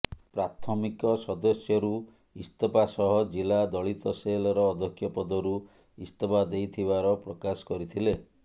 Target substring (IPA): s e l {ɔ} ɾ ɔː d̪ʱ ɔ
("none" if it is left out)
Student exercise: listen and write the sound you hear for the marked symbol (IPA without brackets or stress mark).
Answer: ɔ